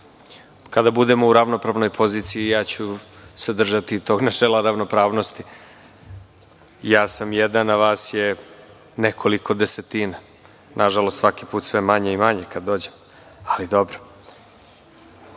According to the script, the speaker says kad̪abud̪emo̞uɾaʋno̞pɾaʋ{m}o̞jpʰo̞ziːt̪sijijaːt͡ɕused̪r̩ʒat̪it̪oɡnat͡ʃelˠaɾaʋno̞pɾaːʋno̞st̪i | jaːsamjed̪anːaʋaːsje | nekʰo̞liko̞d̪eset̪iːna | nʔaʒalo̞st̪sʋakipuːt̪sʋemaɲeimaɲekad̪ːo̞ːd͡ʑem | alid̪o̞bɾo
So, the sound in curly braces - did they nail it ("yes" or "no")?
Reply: no